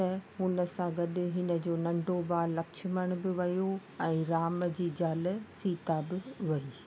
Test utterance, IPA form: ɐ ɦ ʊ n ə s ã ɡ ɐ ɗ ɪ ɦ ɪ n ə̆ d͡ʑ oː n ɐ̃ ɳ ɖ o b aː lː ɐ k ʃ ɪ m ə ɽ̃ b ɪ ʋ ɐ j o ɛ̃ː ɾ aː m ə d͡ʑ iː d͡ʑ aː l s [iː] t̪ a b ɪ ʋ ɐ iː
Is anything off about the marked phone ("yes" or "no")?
no